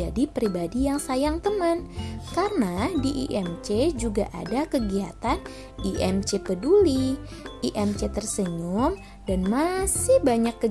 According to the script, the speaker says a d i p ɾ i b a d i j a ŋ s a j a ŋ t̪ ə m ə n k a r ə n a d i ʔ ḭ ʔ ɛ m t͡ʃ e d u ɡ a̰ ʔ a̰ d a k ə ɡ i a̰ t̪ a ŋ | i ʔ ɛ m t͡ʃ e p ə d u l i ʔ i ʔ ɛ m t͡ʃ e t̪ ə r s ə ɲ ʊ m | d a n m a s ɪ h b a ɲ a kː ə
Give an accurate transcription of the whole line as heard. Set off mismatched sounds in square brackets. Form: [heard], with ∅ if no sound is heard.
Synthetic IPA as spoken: a d i p ɾ i b a d i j a ŋ s a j a ŋ t̪ ə m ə n k a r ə n a d i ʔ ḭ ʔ ɛ m t͡ʃ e [d͡ʒ] u ɡ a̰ ʔ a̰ d a k ə ɡ i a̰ t̪ a [n] | i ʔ ɛ m t͡ʃ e p ə d u l i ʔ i ʔ ɛ m t͡ʃ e t̪ ə r s ə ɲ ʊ m | d a n m a s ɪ h b a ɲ a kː ə